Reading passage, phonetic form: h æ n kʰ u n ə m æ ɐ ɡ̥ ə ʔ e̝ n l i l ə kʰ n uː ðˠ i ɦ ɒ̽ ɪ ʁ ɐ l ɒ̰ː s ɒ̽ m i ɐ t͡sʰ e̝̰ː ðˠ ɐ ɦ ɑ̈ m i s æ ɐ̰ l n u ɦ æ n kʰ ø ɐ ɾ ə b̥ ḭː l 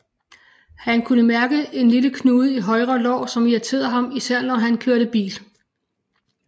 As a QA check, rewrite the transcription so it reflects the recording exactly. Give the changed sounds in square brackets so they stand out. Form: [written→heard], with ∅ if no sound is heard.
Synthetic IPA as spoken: h æ n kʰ u n ə m æ ɐ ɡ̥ ə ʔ e̝ n l i l ə kʰ n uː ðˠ i ɦ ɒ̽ ɪ ʁ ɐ l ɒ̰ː s ɒ̽ m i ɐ t͡sʰ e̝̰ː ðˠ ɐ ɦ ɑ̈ m i s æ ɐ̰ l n [u→ɒ] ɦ æ n kʰ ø ɐ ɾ ə b̥ ḭː l